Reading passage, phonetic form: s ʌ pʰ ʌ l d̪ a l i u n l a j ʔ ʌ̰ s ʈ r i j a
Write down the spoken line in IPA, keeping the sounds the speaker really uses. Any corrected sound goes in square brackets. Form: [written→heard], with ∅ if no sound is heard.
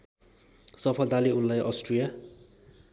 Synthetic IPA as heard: s ʌ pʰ ʌ l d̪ a l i u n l a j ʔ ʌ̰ s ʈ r i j a